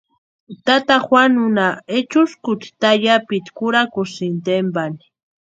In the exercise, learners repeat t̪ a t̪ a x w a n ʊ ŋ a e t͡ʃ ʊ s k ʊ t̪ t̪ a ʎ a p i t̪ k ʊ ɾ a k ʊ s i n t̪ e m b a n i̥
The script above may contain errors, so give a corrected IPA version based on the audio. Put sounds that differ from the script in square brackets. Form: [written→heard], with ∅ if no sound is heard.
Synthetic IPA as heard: t̪ a t̪ a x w a n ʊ [ŋ→n] a e t͡ʃ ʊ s k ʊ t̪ t̪ a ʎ a p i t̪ k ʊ ɾ a k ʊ s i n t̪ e m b a n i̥